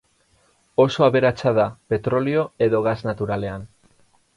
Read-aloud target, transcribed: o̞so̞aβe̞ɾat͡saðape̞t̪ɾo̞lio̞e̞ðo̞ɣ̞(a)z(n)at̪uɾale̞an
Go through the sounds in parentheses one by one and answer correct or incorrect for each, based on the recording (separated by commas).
correct, correct